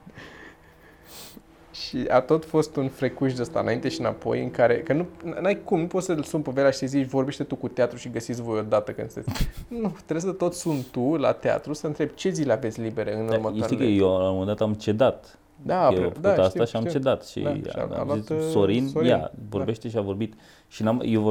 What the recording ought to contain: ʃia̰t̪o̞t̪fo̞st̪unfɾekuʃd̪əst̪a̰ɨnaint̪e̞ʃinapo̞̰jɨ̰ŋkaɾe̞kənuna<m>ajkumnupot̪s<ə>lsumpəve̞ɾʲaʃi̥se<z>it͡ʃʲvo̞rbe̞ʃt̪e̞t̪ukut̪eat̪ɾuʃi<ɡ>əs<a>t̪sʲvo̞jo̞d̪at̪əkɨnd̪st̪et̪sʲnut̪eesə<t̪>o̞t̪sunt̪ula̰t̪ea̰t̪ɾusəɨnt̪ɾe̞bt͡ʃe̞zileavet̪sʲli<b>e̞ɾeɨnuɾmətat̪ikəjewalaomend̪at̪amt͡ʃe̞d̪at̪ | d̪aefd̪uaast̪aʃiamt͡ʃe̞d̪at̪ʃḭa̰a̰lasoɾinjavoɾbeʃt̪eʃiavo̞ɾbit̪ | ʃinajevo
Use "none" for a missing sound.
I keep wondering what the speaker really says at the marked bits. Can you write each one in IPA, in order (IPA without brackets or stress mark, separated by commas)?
n, ə, z, ɡ, i, t̪, b